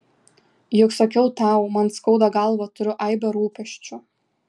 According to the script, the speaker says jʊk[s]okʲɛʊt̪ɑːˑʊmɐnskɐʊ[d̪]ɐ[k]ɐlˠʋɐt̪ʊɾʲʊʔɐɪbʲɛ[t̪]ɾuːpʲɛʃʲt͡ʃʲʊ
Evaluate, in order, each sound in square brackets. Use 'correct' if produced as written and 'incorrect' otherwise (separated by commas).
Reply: correct, correct, incorrect, incorrect